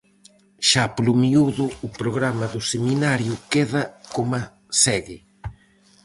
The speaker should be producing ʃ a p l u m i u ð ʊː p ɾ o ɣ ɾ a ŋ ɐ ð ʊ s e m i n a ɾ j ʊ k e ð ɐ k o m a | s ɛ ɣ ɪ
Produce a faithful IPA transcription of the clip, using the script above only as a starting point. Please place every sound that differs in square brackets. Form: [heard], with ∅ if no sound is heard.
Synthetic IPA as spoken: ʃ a p l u m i u ð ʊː p ɾ o ɣ ɾ a [m] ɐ ð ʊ s e m i n a ɾ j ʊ k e ð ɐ k o m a | s ɛ ɣ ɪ